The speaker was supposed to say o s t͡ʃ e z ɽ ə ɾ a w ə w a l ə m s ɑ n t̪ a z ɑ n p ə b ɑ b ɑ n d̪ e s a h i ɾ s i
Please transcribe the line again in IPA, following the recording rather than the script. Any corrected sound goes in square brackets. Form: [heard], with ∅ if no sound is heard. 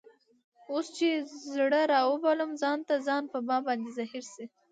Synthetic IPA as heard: o s t͡ʃ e z ɽ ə ɾ [ɑ] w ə [b] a l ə m [z] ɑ n t̪ a z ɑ n p ə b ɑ b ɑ n d̪ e [z] a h i ɾ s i